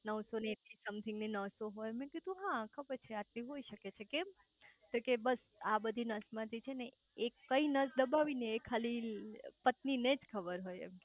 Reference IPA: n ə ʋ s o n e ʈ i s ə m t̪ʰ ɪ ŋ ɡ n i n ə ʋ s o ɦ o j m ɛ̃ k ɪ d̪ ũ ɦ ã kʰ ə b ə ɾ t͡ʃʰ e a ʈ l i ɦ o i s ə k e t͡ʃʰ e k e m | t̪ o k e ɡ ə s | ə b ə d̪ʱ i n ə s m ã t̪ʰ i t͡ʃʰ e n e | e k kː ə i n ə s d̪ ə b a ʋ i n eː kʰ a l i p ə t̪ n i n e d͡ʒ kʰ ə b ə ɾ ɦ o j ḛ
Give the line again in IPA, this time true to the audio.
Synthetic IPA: n ə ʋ s o n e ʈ i s ə m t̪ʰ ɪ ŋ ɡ n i n ə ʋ s o ɦ o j m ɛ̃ k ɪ d̪ ũ ɦ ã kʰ ə b ə ɾ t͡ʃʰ e a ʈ l i ɦ o i ʃ ə k e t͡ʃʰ e k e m | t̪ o k e b ə s | a b ə d̪ʱ i n ə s m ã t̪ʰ i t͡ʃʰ e n e | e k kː ə i n ə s d̪ ə b a ʋ i n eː kʰ a l i p ə t̪ n i n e d͡ʒ kʰ ə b ə ɾ ɦ o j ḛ